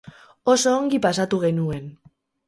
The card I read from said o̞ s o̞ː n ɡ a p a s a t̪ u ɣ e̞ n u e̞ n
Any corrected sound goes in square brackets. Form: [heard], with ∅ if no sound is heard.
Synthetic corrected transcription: o̞ s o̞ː [ŋ] ɡ [i] p a s a t̪ u ɣ e̞ n u e̞ n